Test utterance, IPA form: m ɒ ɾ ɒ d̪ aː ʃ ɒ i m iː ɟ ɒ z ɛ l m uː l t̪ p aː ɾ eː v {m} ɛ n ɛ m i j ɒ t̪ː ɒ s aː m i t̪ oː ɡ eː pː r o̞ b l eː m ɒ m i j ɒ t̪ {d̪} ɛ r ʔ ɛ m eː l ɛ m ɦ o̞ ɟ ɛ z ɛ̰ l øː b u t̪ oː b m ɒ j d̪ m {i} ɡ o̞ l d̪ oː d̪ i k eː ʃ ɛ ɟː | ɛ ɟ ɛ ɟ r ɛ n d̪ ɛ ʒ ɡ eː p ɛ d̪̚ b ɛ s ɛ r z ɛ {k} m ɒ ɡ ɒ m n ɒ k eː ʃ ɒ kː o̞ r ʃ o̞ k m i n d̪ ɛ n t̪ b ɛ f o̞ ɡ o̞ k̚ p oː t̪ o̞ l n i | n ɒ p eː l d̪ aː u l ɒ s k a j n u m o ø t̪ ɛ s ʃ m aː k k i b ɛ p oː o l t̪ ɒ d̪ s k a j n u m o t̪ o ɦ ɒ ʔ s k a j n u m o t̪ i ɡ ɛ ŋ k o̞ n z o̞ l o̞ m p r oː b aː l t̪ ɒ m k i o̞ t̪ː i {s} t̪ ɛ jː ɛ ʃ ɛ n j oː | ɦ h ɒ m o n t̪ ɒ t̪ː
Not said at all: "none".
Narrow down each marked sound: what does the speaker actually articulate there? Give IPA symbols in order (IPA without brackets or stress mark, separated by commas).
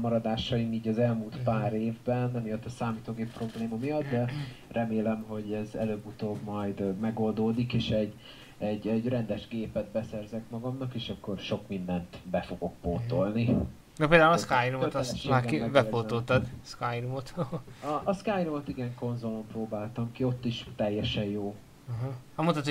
b, d̪, ɛ, k, ʃ